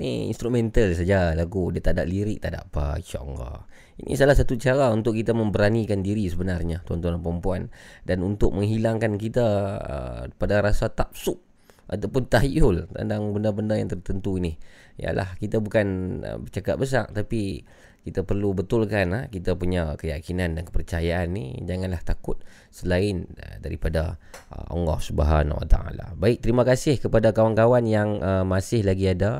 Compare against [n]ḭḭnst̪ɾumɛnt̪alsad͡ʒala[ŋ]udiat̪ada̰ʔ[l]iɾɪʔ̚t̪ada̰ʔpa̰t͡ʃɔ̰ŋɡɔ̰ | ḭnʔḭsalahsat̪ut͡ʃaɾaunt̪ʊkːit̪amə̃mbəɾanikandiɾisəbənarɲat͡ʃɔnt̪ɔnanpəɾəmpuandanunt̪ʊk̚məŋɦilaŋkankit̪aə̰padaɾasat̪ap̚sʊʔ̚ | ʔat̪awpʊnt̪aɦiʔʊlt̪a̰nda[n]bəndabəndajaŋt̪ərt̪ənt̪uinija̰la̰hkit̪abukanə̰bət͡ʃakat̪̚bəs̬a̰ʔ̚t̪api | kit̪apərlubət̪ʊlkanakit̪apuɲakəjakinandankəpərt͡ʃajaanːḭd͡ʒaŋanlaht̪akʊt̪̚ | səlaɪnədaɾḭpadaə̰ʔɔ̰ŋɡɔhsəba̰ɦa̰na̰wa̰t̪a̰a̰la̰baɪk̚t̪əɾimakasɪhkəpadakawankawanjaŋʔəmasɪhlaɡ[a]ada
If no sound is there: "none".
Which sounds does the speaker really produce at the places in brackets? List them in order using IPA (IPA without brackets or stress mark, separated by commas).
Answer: n, ɡ, l, ŋ, i